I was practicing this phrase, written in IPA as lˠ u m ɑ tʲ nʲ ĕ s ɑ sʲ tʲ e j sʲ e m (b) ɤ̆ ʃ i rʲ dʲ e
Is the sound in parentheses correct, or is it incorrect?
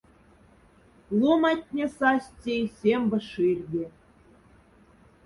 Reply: correct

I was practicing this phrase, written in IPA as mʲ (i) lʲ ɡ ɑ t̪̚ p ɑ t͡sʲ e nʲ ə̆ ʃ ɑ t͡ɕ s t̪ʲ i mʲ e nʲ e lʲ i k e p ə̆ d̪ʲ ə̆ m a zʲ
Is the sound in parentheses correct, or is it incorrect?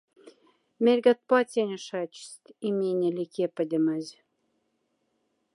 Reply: incorrect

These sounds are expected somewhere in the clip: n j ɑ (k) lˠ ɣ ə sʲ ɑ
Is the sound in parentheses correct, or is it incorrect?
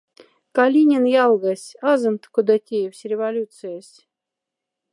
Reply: incorrect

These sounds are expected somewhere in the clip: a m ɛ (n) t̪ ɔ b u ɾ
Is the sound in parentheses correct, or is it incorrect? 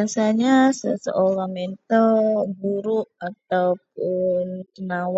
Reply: correct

